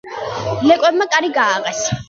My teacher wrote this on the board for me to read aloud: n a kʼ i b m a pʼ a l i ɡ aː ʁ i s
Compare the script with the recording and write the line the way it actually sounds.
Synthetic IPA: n ɛ kʼ ɛ b m a kʼ a ɾ i ɡ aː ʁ ɛ s